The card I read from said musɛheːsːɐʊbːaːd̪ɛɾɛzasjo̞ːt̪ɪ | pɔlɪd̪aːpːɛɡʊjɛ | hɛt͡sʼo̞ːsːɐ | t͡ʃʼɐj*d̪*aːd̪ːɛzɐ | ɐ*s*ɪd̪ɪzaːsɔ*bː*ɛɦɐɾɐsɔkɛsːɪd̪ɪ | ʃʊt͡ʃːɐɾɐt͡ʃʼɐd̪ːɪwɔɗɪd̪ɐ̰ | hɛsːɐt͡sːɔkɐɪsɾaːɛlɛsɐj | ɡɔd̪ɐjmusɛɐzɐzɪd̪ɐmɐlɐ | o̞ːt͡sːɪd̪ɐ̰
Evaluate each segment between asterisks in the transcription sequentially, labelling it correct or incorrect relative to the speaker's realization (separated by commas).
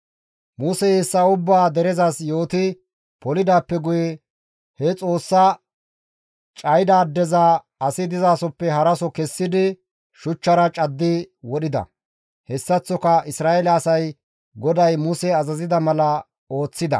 correct, correct, incorrect